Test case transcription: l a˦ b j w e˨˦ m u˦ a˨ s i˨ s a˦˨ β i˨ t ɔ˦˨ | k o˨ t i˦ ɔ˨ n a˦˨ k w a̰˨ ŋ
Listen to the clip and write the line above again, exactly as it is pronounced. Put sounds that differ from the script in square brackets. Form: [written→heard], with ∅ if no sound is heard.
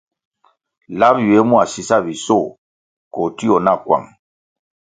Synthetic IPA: l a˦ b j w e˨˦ m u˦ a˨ s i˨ s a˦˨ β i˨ [t→s] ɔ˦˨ | k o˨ t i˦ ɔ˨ n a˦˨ k w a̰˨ ŋ